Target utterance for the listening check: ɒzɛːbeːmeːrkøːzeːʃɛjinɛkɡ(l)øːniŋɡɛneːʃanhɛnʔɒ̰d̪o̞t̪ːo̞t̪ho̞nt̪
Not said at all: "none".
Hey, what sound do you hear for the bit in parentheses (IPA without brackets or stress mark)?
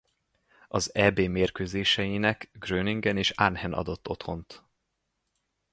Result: r